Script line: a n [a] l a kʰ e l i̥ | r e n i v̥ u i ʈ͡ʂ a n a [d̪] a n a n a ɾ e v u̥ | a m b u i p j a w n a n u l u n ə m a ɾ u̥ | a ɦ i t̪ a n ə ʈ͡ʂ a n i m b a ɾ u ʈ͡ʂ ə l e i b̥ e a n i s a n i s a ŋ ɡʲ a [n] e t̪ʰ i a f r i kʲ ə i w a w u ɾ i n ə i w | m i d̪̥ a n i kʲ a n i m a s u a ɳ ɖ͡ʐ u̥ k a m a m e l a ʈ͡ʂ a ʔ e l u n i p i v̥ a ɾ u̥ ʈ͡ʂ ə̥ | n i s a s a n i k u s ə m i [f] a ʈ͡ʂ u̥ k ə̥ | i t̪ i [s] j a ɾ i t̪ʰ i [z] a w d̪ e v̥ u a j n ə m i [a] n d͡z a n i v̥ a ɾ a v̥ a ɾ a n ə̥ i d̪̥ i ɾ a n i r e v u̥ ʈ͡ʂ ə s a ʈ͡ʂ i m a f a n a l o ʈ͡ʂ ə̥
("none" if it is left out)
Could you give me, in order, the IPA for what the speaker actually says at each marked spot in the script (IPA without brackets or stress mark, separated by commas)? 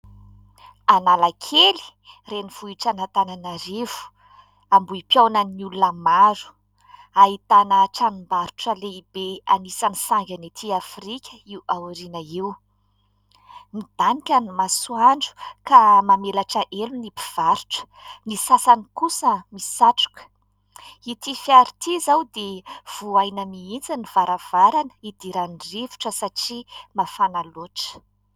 a, t̪, n, s, f, z, i